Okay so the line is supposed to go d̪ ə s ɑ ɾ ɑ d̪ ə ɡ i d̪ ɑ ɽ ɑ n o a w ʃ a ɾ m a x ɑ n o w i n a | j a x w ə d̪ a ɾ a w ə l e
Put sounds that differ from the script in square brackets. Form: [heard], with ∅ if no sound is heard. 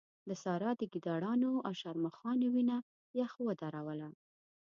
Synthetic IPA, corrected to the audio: d̪ ə s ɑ ɾ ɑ d̪ ə ɡ i d̪ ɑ ɽ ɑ n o a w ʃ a ɾ m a x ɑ n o w i n a | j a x w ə d̪ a ɾ a w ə l [a]